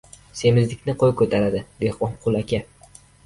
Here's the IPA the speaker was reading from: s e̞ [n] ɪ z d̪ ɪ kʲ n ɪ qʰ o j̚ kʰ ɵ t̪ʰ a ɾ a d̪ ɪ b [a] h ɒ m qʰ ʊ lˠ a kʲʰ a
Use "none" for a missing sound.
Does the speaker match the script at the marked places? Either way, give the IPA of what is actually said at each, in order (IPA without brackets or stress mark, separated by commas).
m, e